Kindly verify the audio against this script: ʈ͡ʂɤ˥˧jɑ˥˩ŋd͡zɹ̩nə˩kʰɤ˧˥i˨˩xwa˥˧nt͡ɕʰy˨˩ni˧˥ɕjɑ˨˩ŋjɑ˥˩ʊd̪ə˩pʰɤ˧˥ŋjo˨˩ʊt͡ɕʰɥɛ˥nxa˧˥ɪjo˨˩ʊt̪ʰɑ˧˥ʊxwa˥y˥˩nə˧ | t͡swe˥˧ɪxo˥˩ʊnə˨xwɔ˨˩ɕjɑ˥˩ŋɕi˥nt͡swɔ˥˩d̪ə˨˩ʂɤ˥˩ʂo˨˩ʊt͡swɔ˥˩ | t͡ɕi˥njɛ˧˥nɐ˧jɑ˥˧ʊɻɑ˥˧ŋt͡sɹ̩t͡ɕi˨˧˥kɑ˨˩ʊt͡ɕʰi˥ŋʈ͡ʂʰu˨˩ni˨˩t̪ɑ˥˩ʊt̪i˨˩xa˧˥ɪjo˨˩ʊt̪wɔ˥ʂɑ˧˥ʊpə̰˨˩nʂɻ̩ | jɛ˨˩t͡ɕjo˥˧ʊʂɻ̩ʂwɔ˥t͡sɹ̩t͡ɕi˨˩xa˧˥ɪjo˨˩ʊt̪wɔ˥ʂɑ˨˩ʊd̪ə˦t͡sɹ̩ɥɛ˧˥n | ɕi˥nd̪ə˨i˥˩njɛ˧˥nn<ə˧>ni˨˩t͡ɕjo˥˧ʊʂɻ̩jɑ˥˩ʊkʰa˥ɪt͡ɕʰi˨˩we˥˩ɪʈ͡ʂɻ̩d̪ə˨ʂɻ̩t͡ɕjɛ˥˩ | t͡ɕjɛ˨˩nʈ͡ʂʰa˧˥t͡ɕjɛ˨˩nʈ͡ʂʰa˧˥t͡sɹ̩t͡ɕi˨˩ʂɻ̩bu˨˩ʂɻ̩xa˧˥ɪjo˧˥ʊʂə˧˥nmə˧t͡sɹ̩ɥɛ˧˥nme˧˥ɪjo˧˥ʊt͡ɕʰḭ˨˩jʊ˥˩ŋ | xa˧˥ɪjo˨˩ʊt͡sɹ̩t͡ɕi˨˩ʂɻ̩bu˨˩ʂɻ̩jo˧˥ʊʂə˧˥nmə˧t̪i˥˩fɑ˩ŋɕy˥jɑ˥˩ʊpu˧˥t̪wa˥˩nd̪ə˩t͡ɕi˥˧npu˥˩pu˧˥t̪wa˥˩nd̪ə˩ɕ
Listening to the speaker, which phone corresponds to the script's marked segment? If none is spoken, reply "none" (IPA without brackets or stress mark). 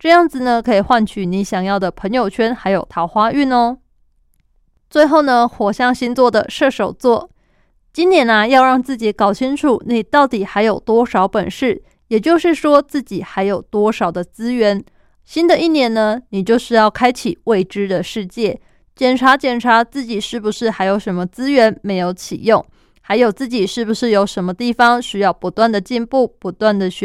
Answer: ə˧